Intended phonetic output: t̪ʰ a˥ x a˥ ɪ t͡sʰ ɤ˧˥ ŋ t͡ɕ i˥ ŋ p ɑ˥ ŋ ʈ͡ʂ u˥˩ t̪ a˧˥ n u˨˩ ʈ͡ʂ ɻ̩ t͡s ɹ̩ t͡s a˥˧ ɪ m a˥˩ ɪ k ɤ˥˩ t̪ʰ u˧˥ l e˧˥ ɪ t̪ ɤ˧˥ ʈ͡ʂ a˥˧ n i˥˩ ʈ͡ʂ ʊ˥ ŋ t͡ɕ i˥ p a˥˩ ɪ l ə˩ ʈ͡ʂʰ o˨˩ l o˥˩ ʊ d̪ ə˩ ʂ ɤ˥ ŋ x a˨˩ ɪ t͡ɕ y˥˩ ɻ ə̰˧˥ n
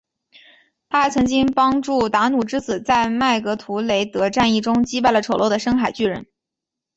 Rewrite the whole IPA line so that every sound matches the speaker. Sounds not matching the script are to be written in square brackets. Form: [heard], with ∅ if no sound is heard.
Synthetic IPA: t̪ʰ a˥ x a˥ ɪ t͡sʰ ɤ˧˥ ŋ t͡ɕ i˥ ŋ p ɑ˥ ŋ ʈ͡ʂ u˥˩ t̪ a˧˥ n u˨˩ ʈ͡ʂ ɻ̩ t͡s ɹ̩ t͡s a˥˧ ɪ m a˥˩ ɪ k [ɤ˧˥] t̪ʰ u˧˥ l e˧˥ ɪ t̪ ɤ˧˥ ʈ͡ʂ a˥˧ n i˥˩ ʈ͡ʂ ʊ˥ ŋ t͡ɕ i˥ p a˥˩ ɪ l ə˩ ʈ͡ʂʰ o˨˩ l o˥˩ ʊ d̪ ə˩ ʂ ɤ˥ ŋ x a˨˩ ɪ t͡ɕ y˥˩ ɻ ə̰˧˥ n